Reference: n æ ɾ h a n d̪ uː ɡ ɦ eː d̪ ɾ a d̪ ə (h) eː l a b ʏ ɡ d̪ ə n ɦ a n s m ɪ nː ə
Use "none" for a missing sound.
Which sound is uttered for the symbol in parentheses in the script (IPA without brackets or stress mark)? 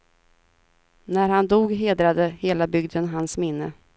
h